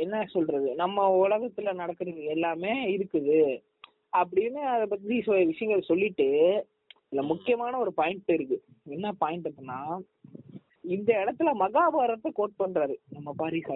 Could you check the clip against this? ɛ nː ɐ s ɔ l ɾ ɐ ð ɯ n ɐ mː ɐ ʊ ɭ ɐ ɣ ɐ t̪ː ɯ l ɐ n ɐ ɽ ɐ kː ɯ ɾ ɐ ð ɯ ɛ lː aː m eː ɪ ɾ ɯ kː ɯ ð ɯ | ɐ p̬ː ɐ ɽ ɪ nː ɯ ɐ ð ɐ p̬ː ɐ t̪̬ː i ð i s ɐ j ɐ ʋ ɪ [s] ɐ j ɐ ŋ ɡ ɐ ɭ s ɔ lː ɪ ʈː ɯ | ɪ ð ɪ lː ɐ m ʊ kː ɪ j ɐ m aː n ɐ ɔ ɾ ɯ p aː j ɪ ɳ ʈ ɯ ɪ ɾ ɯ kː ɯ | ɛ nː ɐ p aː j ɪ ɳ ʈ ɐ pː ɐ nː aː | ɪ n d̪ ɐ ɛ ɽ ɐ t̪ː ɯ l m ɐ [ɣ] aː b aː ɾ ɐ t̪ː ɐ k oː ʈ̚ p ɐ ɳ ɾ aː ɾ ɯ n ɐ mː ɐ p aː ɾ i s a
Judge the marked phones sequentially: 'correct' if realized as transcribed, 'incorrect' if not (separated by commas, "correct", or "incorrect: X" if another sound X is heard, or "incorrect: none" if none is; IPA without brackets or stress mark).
incorrect: ʂ, correct